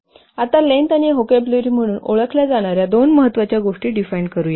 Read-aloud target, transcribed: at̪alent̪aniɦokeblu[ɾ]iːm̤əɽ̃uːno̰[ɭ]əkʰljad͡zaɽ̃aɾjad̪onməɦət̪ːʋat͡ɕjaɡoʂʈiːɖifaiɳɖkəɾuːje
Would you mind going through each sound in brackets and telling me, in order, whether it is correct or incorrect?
correct, correct

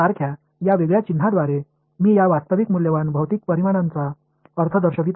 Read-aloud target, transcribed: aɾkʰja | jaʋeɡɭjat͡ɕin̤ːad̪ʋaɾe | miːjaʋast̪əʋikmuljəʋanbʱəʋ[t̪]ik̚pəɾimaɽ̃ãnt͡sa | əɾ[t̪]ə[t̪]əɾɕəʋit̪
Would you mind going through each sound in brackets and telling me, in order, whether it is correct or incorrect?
correct, incorrect: t̪ʰ, incorrect: d̪

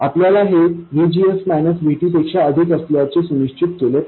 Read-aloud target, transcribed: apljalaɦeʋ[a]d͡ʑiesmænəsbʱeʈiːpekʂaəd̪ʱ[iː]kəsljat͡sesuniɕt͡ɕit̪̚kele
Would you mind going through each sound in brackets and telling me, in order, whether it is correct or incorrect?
incorrect: i, incorrect: i

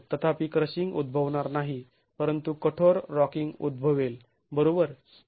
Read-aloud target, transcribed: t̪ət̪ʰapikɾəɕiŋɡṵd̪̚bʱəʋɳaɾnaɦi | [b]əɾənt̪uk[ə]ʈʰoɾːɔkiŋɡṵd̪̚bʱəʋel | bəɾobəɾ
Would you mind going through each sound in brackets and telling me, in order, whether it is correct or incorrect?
incorrect: p, correct

